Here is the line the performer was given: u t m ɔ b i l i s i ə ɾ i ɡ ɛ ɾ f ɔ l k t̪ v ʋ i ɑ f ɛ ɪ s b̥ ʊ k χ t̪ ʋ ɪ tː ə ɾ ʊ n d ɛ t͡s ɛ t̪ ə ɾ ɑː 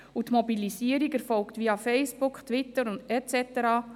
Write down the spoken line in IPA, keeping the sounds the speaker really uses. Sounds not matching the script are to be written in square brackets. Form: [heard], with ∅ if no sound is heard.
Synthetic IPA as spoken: u t m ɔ b i l i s i ə ɾ i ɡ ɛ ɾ f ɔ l k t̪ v ʋ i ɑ f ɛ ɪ s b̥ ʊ k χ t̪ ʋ ɪ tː ə ɾ ʊ n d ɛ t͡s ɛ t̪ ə ɾ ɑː

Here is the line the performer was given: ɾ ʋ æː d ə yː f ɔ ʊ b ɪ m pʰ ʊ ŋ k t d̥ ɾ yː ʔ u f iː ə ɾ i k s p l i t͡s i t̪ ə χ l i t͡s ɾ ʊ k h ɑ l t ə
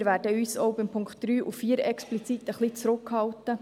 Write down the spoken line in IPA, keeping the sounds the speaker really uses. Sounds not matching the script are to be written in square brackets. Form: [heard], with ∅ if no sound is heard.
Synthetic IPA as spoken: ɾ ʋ æː d ə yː [s] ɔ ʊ b ɪ m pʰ ʊ ŋ k t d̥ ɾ yː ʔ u f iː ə ɾ [ɛ] k s p l i t͡s i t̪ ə χ l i t͡s ɾ ʊ k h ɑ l t ə

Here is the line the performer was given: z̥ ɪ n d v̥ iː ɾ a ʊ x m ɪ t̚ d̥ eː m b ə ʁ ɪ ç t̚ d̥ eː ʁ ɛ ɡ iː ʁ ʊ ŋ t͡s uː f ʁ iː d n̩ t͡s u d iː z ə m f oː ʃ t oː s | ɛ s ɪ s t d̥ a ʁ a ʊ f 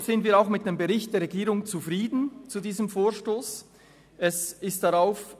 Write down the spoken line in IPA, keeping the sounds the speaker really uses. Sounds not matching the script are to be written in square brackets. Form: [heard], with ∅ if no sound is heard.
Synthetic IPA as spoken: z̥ ɪ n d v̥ iː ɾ a ʊ x m ɪ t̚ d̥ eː m b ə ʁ ɪ ç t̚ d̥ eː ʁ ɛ ɡ iː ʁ ʊ ŋ t͡s [u] f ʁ iː d n̩ t͡s u d iː z ə m f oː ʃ t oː s | ɛ s ɪ s t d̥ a ʁ a ʊ f

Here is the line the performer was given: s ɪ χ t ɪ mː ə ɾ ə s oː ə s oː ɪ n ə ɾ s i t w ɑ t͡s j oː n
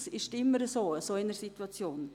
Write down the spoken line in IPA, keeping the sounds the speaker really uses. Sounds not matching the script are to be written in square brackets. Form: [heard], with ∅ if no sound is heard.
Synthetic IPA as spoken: s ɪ [ʃ] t ɪ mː ə ɾ ə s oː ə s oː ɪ n ə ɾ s i t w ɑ t͡s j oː n

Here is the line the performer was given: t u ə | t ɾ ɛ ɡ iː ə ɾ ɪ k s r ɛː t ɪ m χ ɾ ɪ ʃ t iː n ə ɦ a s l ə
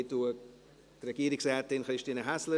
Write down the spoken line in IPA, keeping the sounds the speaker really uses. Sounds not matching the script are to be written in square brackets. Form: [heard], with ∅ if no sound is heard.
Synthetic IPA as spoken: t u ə | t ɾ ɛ ɡ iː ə ɾ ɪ k s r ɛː t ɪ [n] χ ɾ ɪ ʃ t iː n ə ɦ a s l ə

